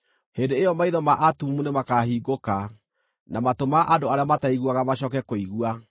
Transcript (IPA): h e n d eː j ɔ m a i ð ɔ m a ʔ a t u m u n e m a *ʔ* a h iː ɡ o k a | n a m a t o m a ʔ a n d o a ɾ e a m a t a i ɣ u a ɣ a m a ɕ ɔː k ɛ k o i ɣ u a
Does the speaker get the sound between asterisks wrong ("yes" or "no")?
yes